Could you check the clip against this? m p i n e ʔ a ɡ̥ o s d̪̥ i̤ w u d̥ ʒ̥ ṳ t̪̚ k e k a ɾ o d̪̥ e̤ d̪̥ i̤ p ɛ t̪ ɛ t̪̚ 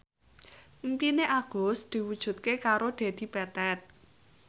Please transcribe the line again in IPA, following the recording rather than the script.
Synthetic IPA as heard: m p i n e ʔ a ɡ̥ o s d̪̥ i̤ w u d̥ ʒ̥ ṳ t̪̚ k e k a ɾ o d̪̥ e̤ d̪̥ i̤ p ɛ t̪ ɛ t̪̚